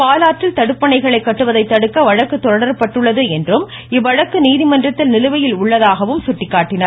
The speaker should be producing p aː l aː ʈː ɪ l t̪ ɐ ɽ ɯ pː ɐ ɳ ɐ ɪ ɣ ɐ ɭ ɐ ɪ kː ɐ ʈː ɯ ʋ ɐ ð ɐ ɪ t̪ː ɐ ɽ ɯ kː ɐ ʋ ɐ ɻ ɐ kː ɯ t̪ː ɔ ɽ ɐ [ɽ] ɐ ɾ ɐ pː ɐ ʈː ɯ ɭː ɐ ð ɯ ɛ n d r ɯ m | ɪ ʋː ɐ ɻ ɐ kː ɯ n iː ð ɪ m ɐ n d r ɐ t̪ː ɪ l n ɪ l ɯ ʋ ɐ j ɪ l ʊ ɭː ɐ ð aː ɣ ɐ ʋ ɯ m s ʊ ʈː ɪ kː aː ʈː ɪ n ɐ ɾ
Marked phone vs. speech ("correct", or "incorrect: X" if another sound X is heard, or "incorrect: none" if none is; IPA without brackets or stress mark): correct